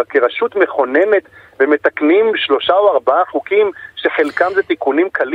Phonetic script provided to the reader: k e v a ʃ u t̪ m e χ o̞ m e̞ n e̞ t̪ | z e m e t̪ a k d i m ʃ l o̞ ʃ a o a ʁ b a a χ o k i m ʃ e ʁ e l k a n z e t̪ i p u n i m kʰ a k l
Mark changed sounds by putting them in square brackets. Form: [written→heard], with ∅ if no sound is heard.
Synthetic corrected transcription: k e [v→ʁ] a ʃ u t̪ m e χ o̞ [m→n] e̞ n e̞ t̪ | [z→v] e m e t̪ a k [d→n] i m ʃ l o̞ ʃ a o a ʁ b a a χ [o→u] k i m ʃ e [ʁ→χ] e l k a [n→m] z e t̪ i [p→k] u n i m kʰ a [k→∅] l